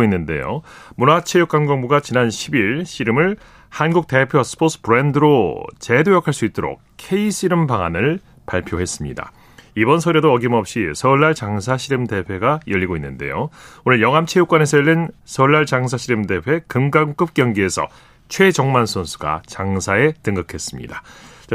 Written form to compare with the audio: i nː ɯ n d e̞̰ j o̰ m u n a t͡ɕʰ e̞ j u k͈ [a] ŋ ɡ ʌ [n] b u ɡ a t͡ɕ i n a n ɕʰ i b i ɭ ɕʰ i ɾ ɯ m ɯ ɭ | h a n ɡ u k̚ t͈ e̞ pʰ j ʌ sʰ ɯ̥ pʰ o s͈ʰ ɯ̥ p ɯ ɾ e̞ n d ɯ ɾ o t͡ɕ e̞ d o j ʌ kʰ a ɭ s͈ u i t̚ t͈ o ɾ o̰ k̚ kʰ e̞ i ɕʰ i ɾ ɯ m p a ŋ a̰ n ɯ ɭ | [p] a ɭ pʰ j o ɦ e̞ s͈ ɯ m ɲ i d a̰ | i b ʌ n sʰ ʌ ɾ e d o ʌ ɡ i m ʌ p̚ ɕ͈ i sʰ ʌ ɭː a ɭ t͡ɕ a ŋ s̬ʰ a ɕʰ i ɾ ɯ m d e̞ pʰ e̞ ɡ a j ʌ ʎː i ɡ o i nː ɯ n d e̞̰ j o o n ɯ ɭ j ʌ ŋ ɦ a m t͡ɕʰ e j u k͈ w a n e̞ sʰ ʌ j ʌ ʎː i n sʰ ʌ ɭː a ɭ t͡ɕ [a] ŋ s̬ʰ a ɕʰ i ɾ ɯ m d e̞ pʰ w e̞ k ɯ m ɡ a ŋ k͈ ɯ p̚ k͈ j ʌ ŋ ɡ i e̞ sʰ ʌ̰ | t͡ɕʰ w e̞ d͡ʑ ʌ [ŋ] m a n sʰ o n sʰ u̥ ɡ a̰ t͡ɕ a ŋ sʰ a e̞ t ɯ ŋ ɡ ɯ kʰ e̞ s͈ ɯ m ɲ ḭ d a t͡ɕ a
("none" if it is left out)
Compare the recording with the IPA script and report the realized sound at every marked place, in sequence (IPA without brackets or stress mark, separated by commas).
a, ŋ, p, a, ŋ